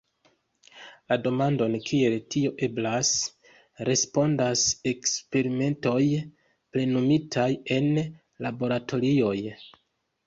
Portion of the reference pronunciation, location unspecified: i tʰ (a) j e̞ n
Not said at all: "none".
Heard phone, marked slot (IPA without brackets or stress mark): a